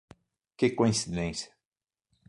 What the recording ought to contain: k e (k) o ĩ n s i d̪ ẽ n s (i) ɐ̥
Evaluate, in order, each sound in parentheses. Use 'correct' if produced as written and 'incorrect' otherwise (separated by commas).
correct, incorrect